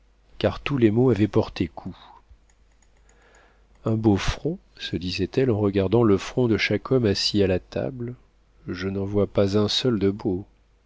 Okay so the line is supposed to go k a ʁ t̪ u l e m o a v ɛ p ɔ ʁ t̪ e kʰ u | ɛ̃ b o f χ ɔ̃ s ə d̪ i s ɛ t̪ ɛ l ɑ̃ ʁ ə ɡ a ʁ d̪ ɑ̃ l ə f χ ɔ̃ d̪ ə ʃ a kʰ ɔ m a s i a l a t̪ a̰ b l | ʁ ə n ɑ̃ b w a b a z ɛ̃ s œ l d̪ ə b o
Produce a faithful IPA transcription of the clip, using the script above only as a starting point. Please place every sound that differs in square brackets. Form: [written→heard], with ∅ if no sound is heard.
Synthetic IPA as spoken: k a ʁ t̪ u l e m o a v ɛ p ɔ ʁ t̪ e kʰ u | ɛ̃ b o f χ ɔ̃ s ə d̪ i [s→z] ɛ t̪ ɛ l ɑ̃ ʁ ə ɡ a ʁ d̪ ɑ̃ l ə f χ ɔ̃ d̪ ə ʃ a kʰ ɔ m a s i a l a t̪ a̰ b l | [ʁ→ʒ] ə n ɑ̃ [b→v] w a [b→p] a z ɛ̃ s œ l d̪ ə b o